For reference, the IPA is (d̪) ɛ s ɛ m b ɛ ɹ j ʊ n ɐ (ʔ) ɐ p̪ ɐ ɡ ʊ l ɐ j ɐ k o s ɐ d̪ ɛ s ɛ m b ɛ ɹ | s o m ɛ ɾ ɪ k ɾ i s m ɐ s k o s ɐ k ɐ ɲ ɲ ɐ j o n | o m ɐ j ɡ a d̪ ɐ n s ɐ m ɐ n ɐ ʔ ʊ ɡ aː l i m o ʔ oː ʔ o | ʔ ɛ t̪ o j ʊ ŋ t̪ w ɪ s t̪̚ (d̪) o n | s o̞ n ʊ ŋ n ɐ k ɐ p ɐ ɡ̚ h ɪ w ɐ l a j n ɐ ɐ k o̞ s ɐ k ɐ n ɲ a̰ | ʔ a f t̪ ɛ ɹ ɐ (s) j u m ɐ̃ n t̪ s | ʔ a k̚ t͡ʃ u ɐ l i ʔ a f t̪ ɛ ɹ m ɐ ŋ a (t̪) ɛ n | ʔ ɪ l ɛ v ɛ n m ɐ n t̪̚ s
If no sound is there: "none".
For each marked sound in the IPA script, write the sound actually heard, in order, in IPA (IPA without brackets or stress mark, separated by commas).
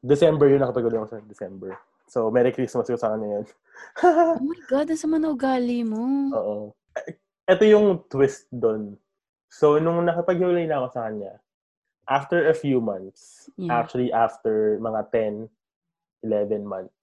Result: d̪, k, d̪, f, t̪